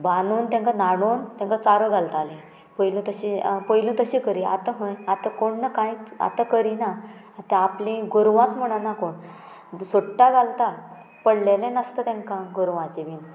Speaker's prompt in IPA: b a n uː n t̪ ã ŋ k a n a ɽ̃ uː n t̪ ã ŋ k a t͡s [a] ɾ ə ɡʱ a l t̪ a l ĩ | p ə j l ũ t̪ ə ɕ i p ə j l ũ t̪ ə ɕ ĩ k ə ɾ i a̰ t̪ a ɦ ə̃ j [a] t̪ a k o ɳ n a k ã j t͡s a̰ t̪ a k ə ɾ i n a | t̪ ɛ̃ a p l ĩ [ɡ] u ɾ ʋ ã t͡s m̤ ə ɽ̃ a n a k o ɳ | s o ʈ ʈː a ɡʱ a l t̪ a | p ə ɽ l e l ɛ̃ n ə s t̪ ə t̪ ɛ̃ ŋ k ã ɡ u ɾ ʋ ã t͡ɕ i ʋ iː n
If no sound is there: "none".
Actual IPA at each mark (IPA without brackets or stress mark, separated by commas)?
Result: a, a, ɡ